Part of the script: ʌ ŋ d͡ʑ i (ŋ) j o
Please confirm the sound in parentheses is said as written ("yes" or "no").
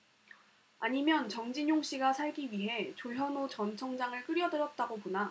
no